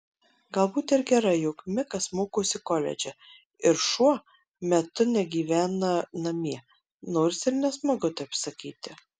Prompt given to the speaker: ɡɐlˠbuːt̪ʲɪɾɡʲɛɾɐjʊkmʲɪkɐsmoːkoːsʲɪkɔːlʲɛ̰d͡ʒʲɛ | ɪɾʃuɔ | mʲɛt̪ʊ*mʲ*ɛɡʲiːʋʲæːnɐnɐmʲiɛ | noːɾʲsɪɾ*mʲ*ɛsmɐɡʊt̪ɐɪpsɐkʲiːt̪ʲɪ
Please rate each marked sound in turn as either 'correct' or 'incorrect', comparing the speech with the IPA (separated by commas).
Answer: incorrect, incorrect